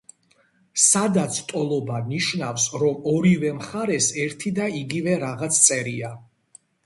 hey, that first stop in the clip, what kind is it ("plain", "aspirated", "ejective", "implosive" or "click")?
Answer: plain